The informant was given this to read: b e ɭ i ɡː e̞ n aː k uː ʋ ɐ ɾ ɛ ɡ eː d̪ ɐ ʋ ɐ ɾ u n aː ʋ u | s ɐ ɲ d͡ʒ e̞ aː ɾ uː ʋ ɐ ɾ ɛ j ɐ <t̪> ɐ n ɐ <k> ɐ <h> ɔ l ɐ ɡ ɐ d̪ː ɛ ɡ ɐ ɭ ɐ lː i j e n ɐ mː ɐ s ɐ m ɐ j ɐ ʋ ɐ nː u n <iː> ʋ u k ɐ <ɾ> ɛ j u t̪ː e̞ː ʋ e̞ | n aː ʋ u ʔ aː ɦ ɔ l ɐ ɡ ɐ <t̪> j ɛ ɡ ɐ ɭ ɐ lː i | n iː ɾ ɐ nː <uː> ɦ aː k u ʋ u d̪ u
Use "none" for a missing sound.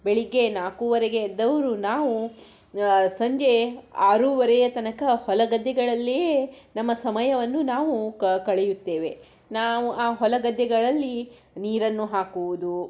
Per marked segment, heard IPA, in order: t̪, k, h, aː, ɭ, d̪, u

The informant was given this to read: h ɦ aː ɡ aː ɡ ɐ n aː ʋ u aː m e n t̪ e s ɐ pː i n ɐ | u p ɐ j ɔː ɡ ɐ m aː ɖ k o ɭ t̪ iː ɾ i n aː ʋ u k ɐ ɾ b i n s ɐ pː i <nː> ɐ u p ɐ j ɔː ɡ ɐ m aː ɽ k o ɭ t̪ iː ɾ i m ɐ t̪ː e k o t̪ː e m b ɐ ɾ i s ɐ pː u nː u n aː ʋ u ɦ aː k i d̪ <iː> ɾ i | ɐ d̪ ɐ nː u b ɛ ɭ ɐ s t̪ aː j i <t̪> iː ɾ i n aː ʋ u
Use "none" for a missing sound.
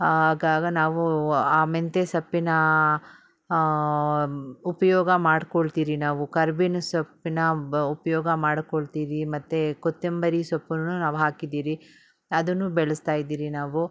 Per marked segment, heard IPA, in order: n, iː, d̪

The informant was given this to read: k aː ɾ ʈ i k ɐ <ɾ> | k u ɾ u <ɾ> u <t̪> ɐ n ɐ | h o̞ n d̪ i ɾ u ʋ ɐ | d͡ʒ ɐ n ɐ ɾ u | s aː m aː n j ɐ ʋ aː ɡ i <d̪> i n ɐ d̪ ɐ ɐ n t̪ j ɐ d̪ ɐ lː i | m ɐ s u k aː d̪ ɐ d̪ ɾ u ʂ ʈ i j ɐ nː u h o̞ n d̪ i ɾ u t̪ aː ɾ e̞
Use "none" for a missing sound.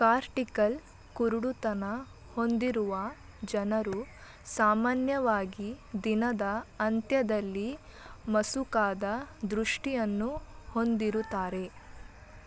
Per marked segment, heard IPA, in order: l, ɽ, t̪, d̪

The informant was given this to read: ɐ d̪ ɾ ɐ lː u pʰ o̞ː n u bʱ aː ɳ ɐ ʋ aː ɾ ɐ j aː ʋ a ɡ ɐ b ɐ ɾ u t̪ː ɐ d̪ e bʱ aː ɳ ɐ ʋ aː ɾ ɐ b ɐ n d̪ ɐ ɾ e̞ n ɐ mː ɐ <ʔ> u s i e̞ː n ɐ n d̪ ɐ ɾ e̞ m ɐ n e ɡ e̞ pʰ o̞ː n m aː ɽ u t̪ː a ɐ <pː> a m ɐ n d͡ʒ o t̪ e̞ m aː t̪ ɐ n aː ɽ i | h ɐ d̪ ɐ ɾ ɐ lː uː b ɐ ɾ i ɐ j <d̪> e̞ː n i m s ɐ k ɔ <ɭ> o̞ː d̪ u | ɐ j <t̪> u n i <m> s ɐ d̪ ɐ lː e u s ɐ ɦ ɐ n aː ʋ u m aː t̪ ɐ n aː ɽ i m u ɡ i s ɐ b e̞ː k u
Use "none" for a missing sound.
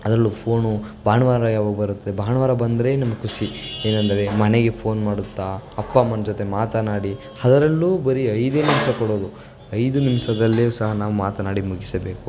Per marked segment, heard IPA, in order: k, pː, d̪, ɽ, d̪, m

